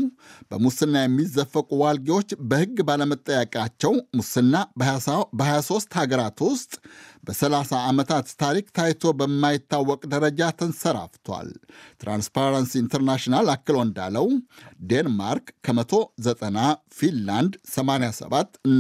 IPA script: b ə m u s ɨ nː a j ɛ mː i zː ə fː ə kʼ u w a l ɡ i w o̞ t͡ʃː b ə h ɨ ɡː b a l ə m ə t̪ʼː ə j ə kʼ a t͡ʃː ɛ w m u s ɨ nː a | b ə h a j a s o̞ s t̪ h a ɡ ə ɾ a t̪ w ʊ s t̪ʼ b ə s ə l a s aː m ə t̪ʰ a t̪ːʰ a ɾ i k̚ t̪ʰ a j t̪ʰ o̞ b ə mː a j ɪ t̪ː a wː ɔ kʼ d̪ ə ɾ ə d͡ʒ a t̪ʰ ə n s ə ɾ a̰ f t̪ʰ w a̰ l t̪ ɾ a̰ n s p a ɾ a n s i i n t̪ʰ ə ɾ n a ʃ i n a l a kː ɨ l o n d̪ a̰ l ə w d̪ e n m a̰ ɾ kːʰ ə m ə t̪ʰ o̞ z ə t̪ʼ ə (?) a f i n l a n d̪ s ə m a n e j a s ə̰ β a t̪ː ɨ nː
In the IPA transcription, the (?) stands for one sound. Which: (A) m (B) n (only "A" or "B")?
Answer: B